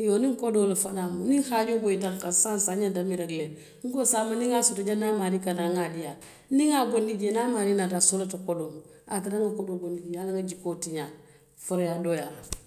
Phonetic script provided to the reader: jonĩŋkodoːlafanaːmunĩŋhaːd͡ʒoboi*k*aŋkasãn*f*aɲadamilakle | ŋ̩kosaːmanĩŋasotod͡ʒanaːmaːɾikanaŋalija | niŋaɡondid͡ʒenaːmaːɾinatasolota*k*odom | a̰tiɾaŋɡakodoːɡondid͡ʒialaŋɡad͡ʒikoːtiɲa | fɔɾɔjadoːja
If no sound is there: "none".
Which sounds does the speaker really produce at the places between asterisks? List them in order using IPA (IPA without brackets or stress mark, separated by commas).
t, s, k